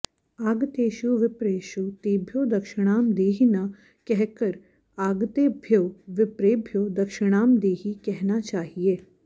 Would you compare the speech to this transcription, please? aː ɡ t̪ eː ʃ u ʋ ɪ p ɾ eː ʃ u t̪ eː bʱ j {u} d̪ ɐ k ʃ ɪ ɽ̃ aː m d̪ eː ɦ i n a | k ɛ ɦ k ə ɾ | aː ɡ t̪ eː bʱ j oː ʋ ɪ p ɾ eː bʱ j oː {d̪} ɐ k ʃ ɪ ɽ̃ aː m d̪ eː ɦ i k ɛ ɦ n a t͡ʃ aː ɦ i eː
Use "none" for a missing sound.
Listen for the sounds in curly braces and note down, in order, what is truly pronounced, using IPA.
o, d̪

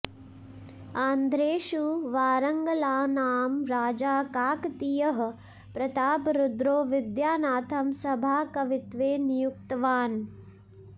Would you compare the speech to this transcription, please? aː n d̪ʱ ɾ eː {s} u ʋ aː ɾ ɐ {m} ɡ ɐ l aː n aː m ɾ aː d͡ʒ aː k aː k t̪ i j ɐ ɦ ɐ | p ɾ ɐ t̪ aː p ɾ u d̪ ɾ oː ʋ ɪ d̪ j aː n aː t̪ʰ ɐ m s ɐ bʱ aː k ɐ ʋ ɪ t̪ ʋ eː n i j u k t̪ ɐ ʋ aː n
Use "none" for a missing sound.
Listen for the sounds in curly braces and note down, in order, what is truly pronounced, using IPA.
ʃ, ŋ

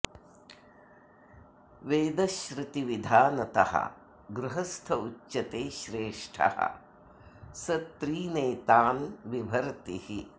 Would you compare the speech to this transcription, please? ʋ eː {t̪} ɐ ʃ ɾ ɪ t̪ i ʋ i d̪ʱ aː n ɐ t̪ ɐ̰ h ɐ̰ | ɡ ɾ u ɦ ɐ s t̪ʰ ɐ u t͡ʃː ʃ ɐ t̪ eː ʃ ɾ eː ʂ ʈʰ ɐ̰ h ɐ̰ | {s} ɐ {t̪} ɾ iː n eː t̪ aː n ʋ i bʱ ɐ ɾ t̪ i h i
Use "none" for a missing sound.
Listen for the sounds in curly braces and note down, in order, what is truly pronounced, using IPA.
d̪, s, t̪

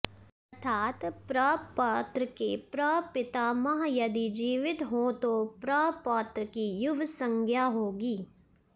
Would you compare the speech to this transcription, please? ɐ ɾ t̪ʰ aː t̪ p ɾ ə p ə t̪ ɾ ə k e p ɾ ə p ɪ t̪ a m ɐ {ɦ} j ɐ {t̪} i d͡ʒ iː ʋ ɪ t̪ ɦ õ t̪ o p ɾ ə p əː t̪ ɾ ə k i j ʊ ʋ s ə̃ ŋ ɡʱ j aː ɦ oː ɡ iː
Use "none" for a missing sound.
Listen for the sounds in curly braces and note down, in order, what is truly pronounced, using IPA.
ɦ, d̪

